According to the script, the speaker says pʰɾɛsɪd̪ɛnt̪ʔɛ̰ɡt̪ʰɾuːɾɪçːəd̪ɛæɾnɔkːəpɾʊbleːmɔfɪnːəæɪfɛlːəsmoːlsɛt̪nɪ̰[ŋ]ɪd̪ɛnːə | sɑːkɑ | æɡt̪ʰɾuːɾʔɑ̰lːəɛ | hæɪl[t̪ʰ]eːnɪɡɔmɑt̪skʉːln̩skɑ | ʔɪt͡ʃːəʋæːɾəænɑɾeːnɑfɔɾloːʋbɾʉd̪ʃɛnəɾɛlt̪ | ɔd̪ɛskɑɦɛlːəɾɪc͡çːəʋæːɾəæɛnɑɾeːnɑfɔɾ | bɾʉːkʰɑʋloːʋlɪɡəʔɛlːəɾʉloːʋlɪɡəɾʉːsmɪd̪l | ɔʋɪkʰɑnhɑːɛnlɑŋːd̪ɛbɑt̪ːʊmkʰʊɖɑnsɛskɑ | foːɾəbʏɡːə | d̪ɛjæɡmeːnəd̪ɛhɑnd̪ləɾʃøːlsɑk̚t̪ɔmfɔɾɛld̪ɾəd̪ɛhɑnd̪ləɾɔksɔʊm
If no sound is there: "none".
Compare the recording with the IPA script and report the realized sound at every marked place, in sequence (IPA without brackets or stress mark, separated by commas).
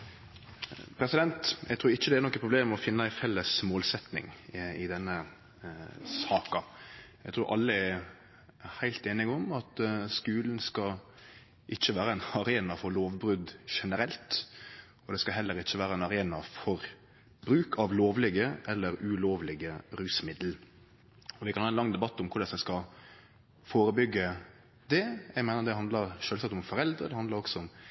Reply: ŋ, t̪